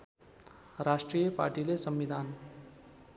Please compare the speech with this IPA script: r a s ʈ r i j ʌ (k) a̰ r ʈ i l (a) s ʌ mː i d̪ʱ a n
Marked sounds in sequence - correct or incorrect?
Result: incorrect, incorrect

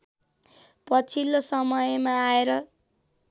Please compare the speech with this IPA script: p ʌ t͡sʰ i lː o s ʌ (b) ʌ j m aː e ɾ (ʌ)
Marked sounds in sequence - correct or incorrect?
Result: incorrect, correct

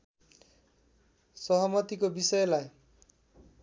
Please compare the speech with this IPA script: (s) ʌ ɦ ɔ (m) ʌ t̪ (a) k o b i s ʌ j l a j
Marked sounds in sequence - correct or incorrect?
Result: correct, correct, incorrect

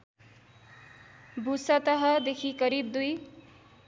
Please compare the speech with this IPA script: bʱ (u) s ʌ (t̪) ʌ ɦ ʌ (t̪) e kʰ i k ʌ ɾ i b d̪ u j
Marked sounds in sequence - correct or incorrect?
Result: correct, correct, incorrect

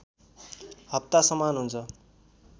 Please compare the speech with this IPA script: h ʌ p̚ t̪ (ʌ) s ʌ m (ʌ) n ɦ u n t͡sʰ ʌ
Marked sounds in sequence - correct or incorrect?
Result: incorrect, incorrect

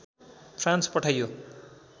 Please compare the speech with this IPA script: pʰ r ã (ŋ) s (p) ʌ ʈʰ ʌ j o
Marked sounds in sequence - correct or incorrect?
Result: incorrect, correct

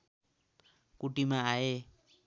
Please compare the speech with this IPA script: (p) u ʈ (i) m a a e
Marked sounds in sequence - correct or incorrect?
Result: incorrect, correct

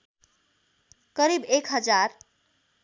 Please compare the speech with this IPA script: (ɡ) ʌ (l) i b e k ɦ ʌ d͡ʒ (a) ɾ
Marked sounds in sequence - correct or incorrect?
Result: incorrect, incorrect, correct

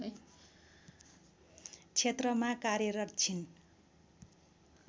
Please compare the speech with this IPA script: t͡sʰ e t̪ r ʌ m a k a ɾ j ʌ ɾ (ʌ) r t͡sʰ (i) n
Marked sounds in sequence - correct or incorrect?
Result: correct, correct

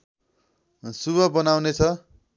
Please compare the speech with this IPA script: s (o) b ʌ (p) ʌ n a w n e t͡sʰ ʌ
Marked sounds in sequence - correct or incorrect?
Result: incorrect, incorrect

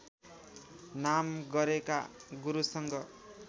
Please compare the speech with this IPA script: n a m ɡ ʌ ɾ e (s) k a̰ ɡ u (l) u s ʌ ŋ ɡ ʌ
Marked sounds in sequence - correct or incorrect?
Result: incorrect, incorrect

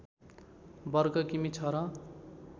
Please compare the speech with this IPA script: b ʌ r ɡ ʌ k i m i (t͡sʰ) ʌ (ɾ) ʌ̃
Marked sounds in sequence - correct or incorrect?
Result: correct, correct

